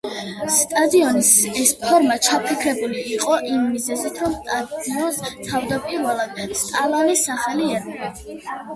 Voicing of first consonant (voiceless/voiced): voiceless